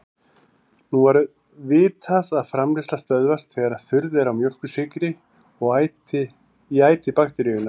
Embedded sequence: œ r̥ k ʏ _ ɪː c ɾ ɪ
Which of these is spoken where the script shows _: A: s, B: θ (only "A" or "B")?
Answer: A